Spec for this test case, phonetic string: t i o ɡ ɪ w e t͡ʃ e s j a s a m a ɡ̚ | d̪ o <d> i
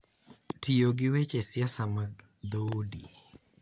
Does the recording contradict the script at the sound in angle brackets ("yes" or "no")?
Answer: no